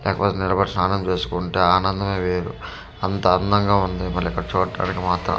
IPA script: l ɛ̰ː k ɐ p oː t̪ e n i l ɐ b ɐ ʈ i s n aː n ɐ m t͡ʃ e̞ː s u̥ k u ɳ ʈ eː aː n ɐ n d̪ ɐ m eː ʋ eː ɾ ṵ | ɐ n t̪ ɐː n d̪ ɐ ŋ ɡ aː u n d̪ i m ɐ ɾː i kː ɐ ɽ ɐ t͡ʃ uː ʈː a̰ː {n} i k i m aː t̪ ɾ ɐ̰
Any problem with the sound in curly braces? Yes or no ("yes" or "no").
no